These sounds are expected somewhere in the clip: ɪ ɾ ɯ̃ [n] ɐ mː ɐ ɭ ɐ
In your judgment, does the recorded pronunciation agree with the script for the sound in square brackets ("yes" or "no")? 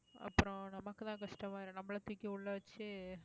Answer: yes